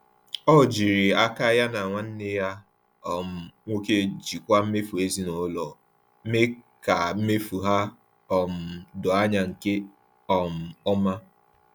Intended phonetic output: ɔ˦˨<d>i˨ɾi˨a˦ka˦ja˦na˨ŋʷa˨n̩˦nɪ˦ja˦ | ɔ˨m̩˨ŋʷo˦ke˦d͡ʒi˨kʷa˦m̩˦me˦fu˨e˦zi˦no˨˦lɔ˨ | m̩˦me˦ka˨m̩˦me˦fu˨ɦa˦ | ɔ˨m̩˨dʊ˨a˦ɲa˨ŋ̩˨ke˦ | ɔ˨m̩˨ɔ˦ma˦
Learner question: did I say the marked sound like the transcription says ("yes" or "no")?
no